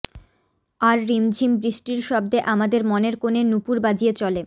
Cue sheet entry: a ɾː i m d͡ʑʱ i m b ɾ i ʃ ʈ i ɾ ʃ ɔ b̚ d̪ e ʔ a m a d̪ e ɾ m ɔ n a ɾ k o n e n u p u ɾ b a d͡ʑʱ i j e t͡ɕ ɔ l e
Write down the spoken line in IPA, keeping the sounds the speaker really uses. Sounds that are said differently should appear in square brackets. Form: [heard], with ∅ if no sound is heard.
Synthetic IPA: a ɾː i m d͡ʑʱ i m b ɾ i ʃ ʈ i ɾ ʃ ɔ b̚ d̪ e ʔ a m a d̪ e ɾ m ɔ n [e] ɾ k o n e n u p u ɾ b a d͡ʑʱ i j e t͡ɕ ɔ l e